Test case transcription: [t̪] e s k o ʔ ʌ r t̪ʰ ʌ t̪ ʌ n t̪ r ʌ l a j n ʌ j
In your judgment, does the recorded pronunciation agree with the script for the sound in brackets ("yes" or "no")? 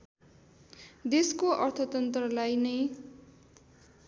no